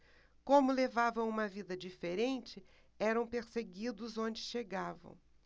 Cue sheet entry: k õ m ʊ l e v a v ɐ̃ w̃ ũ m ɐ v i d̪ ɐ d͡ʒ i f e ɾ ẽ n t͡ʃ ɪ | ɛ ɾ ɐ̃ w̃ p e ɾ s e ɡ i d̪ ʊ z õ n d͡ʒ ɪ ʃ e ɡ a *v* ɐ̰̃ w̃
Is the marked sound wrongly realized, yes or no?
no